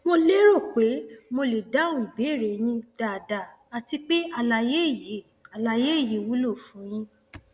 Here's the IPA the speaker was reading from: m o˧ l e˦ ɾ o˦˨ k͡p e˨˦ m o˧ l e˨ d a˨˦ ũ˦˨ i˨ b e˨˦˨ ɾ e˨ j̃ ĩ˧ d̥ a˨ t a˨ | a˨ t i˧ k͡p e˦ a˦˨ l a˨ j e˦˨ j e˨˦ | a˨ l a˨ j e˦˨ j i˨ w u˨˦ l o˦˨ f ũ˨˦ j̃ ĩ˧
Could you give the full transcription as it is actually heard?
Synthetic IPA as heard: m o˧ l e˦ ɾ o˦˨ k͡p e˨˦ m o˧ l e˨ d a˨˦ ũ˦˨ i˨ b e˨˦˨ ɾ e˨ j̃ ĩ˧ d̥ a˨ d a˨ | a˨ t i˧ k͡p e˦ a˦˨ l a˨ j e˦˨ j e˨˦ | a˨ l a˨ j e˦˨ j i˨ w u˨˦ l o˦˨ f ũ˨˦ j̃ ĩ˧